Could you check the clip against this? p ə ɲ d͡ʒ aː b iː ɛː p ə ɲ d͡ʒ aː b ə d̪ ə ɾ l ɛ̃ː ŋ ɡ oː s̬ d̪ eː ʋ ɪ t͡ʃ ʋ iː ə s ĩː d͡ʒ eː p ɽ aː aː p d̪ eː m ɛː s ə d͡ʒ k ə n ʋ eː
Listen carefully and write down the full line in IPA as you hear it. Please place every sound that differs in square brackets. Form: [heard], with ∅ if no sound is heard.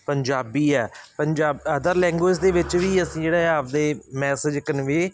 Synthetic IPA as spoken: p ə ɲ d͡ʒ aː b iː ɛː p ə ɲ d͡ʒ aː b ə d̪ ə ɾ l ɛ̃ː ŋ ɡ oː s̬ d̪ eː ʋ ɪ t͡ʃ ʋ iː ə s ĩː d͡ʒ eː [∅] ɽ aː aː p d̪ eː m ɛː s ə d͡ʒ k ə n ʋ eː